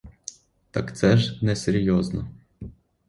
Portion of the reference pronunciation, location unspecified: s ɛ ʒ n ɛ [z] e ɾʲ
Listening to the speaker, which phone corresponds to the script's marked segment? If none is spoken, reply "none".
s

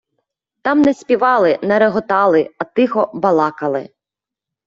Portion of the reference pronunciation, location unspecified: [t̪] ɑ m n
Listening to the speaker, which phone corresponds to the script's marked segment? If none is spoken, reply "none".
t̪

